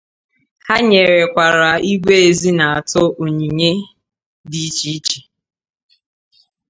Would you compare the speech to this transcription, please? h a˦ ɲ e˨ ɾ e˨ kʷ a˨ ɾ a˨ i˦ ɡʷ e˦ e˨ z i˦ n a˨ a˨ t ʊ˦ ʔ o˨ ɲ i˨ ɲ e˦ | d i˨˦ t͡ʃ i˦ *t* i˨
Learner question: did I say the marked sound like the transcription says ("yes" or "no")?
no